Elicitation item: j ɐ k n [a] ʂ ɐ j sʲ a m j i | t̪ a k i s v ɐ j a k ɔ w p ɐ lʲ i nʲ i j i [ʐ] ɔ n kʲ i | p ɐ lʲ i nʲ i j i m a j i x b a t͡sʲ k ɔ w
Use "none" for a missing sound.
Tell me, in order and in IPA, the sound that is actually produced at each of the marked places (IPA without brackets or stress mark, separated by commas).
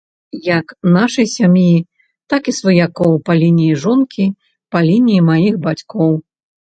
a, ʐ